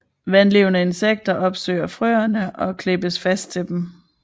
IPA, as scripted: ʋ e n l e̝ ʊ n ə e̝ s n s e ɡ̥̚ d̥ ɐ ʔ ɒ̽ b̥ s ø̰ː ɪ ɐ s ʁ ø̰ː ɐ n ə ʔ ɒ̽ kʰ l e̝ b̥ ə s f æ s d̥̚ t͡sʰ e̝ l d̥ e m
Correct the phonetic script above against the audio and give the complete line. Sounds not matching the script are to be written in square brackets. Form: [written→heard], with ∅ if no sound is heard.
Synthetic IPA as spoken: ʋ [e→æ] n l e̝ ʊ n ə e̝ [s→∅] n s e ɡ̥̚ d̥ ɐ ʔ ɒ̽ b̥ s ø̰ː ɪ ɐ [s→f] ʁ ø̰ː ɐ n ə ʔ ɒ̽ kʰ l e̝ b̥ ə s f æ s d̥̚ t͡sʰ e̝ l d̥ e m